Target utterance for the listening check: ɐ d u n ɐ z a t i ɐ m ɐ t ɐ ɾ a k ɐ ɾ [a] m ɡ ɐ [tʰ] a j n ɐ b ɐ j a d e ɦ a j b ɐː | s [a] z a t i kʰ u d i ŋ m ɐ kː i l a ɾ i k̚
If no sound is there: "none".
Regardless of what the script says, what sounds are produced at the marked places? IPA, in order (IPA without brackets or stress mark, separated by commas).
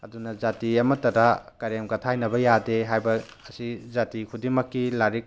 e, tʰ, i